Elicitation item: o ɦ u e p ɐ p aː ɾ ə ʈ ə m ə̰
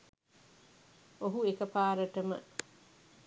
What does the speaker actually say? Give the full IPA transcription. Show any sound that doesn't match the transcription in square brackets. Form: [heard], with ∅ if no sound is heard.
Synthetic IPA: o ɦ u e [k] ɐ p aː ɾ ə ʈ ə m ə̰